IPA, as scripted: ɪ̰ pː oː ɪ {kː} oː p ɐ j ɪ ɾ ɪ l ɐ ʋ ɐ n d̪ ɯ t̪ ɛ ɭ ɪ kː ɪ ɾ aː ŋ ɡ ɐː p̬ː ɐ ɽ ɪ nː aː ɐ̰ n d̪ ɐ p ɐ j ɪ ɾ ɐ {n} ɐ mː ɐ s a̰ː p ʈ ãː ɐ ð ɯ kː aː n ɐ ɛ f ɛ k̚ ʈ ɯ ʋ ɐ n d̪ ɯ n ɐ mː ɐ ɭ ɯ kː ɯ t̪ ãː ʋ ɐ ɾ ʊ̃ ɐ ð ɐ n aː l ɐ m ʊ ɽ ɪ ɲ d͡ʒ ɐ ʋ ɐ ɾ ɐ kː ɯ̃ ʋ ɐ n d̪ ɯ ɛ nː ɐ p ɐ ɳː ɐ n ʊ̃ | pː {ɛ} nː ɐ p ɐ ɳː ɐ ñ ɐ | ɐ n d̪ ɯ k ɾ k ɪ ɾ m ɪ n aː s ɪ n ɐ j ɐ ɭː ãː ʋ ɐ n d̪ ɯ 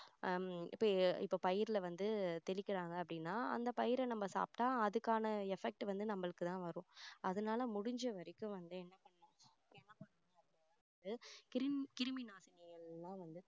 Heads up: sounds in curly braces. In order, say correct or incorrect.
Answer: incorrect, correct, correct

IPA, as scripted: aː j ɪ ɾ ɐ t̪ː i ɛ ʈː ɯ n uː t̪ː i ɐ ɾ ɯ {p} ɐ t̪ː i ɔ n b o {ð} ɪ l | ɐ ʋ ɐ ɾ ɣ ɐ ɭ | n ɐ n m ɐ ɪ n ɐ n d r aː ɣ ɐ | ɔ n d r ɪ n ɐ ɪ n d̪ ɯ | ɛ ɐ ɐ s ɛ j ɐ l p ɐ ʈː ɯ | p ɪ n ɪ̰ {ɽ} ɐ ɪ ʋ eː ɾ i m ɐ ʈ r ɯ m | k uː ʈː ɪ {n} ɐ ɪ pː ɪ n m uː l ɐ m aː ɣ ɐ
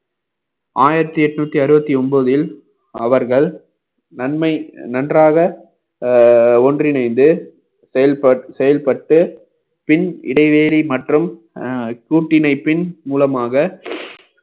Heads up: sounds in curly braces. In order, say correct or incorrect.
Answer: incorrect, correct, correct, correct

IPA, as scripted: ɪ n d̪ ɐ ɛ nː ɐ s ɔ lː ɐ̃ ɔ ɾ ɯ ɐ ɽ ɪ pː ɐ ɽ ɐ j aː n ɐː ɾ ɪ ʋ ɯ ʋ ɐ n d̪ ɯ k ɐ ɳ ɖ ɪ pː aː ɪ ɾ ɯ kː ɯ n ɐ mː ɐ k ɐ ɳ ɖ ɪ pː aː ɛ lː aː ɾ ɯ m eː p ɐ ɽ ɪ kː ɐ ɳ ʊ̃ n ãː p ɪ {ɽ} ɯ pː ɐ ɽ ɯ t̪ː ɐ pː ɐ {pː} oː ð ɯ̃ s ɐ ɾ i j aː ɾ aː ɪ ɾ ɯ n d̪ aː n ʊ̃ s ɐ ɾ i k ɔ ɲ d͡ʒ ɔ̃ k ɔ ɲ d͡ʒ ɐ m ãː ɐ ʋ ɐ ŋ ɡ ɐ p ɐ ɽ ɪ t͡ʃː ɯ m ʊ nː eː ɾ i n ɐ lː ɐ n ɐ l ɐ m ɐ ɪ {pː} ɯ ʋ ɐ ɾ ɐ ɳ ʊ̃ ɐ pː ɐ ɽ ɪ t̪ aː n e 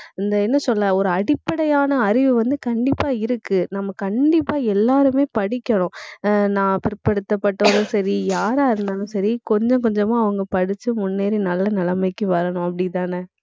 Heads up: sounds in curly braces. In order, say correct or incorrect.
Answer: incorrect, incorrect, incorrect

